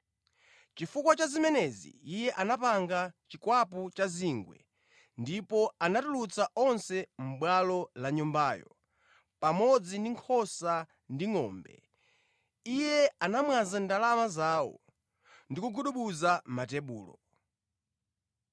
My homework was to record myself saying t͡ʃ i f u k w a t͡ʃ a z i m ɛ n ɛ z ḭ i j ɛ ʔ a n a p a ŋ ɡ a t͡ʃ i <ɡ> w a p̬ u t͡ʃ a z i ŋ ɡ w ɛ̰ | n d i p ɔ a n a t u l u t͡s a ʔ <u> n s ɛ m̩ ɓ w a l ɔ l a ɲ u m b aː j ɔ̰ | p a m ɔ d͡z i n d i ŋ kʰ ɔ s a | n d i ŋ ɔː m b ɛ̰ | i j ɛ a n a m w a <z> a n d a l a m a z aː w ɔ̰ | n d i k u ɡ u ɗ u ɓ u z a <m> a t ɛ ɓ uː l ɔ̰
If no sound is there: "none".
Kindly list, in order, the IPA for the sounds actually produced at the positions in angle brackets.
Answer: k, ɔ, z, m

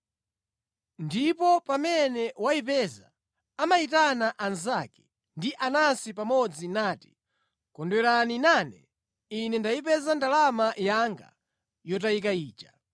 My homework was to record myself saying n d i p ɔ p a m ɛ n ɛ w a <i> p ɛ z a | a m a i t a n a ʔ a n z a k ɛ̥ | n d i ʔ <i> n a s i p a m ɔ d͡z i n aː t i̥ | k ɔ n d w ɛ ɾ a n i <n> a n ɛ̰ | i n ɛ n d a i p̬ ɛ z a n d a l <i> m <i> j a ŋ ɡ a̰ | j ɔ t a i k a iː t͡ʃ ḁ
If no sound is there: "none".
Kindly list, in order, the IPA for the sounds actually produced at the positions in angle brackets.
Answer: i, a, n, a, a

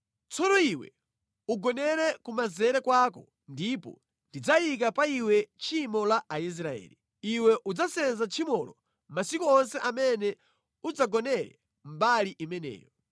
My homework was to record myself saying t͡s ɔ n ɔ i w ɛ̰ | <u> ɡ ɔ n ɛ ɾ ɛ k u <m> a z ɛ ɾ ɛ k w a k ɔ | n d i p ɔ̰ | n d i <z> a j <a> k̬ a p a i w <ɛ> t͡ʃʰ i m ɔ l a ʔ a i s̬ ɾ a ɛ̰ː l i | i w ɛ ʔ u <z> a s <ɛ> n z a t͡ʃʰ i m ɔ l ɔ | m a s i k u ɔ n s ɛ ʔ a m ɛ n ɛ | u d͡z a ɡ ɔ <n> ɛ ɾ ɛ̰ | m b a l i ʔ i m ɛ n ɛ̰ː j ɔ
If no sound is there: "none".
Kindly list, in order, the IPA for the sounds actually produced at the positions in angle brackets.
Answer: u, m, d͡z, i, ɛ, d͡z, ɛ, n

